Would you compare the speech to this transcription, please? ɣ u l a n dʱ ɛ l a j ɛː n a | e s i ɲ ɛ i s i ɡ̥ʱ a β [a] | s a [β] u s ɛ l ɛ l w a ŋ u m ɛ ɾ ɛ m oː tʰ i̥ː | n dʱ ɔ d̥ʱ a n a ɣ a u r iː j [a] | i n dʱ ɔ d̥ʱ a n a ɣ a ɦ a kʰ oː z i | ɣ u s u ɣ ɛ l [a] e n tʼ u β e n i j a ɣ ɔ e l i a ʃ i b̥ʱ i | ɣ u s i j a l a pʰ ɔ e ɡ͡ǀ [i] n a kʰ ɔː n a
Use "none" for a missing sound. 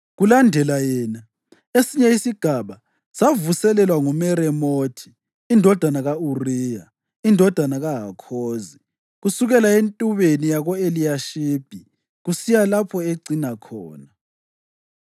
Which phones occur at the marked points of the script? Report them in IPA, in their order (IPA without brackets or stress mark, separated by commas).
a, v, a, a, i